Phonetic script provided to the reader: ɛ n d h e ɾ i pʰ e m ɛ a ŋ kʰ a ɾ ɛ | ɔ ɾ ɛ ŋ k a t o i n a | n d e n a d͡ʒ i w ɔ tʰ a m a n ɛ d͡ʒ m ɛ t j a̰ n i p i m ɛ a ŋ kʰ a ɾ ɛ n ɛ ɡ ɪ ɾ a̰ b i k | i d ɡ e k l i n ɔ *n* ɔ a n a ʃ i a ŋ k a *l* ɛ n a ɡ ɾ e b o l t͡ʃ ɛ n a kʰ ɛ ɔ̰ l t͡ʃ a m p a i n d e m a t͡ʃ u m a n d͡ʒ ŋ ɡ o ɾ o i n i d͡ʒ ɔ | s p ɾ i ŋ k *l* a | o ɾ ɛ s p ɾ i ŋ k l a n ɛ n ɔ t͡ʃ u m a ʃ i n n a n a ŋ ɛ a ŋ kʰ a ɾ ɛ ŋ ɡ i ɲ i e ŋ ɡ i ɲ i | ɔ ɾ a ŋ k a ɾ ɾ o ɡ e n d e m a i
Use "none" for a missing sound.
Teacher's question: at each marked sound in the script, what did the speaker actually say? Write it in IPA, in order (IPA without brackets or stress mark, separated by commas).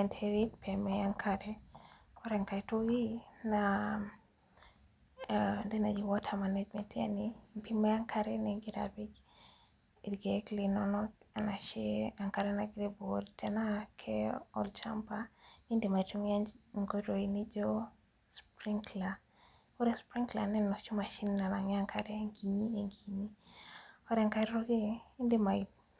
n, ɾ, l